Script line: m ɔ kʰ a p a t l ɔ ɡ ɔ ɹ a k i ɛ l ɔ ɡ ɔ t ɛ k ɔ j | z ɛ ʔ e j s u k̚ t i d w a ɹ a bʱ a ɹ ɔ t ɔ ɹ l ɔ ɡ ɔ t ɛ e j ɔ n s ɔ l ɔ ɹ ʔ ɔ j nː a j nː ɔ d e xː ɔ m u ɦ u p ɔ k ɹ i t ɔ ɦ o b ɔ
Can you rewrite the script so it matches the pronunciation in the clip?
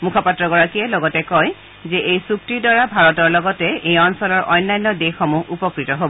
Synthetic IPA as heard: m u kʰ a p a t ɹ ɔ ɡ ɔ ɹ a k i ɛ l ɔ ɡ ɔ t ɛ k ɔ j | z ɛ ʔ e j s u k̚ t i d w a ɹ a bʱ a ɹ ɔ t ɔ ɹ l ɔ ɡ ɔ t ɛ e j ɔ n s ɔ l ɔ ɹ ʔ ɔ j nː a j nː ɔ d e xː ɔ m u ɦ u p ɔ k ɹ i t ɔ ɦ o b ɔ